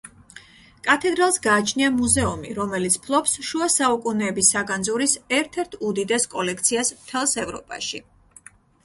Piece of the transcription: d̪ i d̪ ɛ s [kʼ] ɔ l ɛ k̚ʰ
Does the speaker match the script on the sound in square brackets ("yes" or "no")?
yes